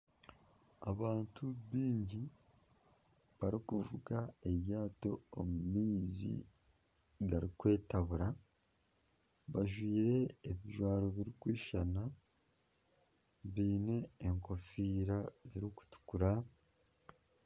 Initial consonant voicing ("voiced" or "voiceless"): voiced